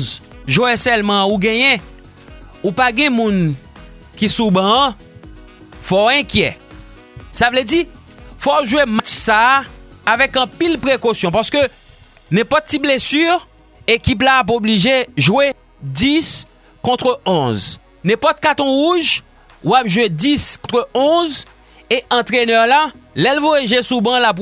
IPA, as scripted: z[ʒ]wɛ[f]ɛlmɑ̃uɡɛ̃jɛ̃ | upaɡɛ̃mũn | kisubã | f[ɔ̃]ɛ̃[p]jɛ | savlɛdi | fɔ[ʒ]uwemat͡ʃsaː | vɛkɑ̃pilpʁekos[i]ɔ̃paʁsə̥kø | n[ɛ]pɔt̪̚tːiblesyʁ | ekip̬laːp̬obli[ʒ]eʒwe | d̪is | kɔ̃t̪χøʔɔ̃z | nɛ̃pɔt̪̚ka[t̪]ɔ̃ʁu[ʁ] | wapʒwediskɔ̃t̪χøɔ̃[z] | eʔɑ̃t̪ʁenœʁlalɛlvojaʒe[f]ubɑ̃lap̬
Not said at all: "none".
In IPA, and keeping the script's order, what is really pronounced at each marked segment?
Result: ʒ, s, ɔ, k, ʒ, j, ɛ̃, ʒ, t̪, ʒ, z, s

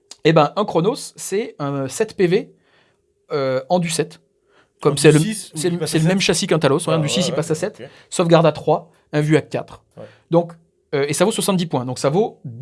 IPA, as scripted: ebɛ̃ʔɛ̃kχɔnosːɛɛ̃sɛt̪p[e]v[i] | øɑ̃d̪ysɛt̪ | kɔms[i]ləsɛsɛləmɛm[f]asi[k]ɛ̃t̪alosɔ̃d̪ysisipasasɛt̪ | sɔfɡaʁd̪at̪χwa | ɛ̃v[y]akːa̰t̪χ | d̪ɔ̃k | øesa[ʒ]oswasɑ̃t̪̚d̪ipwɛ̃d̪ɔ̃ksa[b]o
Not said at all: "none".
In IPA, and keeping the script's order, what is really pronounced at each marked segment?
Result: e, e, ɛ, ʃ, k, y, v, v

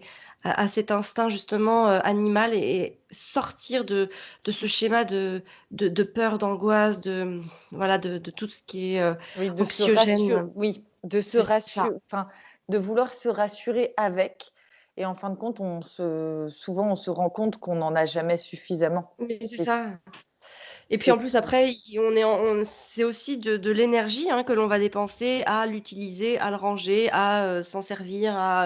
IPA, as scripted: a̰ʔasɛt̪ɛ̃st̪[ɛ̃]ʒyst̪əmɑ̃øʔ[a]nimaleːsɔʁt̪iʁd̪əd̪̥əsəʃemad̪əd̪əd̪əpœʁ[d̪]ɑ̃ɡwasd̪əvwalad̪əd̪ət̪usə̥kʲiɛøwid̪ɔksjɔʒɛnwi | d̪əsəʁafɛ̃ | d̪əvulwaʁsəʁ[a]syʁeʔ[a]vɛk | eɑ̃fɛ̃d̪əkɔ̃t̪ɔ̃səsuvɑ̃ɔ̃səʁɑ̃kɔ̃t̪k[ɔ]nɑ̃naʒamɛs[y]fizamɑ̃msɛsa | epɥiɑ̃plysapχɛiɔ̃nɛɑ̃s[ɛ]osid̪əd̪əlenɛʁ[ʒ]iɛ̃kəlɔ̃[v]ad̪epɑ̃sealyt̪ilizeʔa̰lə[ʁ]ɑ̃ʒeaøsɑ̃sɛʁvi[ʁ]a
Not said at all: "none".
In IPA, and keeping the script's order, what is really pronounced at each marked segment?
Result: ɛ̃, a, d̪, a, a, ɔ̃, y, ɛ, ʒ, v, ʁ, ʁ

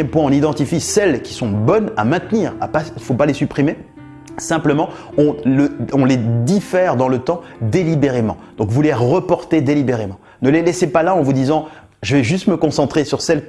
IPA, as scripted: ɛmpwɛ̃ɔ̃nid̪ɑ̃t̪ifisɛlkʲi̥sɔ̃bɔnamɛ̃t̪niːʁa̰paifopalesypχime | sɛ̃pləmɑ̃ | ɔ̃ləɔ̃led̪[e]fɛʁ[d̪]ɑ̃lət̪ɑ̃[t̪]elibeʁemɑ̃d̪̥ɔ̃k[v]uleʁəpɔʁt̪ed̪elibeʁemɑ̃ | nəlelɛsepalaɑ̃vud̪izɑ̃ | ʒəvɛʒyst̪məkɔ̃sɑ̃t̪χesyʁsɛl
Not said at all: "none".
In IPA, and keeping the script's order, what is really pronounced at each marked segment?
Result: i, d̪, d̪, v

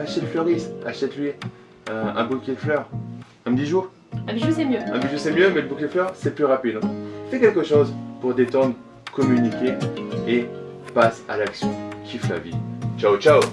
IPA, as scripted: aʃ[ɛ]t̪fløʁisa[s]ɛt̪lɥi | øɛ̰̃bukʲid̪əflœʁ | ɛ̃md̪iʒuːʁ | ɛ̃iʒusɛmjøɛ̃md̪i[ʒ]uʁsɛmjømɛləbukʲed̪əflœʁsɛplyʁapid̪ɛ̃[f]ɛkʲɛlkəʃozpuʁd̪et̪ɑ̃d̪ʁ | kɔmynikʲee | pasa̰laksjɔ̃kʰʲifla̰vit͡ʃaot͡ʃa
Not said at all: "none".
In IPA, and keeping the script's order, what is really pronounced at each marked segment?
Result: ɛ, ʃ, ʒ, f

